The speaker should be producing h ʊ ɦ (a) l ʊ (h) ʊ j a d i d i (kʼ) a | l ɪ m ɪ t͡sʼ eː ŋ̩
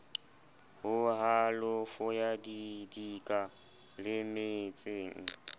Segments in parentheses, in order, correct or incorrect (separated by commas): correct, incorrect, correct